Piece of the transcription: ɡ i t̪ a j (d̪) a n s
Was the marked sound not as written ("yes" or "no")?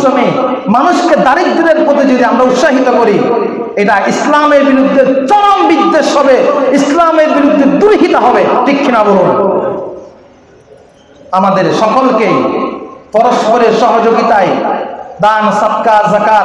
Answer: no